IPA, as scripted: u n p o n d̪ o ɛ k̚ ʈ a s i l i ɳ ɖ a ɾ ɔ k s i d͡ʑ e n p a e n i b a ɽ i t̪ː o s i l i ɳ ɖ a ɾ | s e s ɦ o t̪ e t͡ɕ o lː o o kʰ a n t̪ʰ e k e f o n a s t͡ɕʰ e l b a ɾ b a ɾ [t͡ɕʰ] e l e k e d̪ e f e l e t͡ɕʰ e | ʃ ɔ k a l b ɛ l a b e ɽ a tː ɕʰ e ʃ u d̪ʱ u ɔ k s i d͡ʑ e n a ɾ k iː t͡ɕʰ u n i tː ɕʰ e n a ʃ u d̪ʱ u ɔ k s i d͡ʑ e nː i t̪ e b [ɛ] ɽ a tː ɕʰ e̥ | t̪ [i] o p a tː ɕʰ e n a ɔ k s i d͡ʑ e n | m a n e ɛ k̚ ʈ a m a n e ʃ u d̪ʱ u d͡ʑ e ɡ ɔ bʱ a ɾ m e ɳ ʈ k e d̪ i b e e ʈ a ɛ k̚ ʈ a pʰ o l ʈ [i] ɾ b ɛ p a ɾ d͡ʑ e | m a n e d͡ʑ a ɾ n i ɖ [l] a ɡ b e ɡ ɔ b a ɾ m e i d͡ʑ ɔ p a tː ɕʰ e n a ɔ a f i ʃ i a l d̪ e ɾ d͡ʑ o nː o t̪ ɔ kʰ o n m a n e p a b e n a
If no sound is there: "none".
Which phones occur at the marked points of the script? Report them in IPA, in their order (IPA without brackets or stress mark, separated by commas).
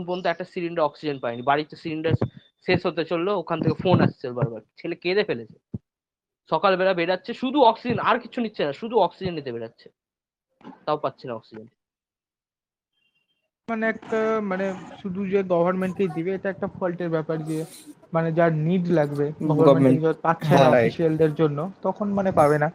t͡ɕʰ, e, a, e, l